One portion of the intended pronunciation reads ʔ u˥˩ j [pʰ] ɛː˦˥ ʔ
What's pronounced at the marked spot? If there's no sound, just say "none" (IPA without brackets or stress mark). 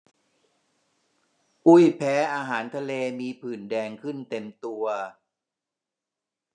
pʰ